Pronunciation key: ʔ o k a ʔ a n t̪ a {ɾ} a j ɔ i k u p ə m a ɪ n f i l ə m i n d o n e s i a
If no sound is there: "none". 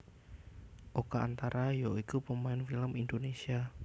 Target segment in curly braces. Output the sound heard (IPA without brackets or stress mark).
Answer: ɾ